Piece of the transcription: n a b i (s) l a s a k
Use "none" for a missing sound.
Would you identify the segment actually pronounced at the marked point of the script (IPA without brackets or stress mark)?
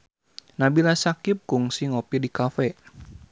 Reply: none